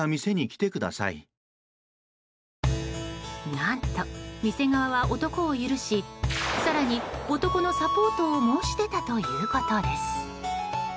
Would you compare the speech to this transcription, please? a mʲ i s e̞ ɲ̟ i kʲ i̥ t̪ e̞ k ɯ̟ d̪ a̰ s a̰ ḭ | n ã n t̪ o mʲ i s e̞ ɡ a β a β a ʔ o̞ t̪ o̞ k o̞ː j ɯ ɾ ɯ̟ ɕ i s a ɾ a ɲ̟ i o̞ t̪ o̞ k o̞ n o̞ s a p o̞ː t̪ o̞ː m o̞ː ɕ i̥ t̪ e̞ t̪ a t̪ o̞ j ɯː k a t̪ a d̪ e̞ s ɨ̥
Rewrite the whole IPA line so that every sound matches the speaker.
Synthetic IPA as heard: a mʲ i s e̞ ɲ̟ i kʲ i̥ t̪ e̞ k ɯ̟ d̪ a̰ s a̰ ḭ | n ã n t̪ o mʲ i s e̞ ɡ a β a β a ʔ o̞ t̪ o̞ k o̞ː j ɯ ɾ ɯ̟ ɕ i s a ɾ a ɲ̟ i o̞ t̪ o̞ k o̞ n o̞ s a p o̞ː t̪ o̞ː m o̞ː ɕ i̥ t̪ e̞ t̪ a t̪ o̞ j ɯː k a t̪ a d̪ e̞ s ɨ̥